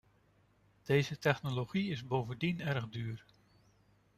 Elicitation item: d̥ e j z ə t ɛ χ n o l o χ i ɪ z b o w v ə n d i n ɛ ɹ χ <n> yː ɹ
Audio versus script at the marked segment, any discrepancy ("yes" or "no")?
yes